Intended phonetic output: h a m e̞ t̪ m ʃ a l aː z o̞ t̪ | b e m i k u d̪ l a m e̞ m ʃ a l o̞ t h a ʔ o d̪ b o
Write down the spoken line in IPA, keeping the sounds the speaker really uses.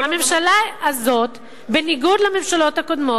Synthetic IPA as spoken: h a m e̞ m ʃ a l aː z o̞ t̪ | b e n i ɡ u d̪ l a m e̞ m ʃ a l o̞ t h a k o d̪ m o